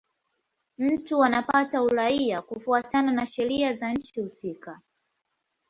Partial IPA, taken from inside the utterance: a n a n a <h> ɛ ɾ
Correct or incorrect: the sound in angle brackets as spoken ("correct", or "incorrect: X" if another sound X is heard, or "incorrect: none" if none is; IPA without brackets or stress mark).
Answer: incorrect: ʃ